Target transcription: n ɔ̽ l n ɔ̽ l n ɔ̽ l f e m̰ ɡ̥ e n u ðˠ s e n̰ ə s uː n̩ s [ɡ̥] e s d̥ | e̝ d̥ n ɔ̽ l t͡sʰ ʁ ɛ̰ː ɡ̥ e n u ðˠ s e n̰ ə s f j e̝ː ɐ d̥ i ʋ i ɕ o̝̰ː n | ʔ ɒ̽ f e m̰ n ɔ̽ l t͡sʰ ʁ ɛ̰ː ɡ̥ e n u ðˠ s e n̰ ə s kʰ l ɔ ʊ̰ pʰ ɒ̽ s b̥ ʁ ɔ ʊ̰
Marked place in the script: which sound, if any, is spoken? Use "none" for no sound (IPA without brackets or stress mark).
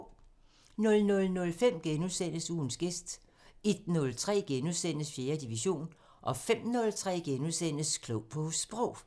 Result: ɡ̥